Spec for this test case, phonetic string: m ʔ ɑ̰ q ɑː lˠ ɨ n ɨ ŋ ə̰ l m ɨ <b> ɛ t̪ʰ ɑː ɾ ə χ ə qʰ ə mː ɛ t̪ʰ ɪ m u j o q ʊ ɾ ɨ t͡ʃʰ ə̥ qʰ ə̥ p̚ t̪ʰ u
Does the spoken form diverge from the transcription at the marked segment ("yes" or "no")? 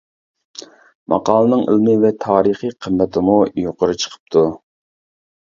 yes